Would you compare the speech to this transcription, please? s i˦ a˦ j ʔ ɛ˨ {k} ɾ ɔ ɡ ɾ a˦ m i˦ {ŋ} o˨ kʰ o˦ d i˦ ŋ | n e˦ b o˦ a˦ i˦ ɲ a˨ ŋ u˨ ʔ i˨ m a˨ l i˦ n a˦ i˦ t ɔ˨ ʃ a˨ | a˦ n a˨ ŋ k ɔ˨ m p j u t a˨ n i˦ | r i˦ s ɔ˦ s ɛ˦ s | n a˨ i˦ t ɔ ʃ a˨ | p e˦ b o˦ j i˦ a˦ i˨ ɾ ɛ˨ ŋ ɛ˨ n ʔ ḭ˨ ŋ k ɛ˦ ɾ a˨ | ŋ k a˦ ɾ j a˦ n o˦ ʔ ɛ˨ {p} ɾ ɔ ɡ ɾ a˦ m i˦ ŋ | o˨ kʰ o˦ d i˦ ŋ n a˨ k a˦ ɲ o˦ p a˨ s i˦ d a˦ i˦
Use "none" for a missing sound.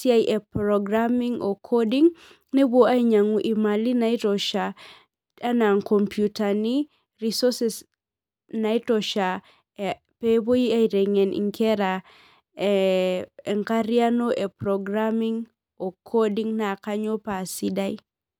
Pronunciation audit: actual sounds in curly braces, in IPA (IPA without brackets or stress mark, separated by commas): p, ŋ, p